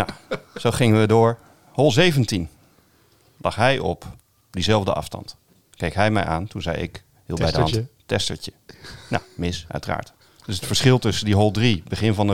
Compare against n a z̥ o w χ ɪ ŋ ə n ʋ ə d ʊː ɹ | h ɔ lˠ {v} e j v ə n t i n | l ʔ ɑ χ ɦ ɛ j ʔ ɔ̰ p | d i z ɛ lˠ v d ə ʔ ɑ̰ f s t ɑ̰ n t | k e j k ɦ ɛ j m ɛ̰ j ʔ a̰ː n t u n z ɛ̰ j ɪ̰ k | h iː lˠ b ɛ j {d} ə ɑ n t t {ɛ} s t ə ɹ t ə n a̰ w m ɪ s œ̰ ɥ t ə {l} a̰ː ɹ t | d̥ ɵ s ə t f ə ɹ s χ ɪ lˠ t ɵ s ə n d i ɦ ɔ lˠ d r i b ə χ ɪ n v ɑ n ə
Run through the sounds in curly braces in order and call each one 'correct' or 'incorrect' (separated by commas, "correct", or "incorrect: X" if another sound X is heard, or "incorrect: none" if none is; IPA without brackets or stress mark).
incorrect: z, correct, correct, incorrect: r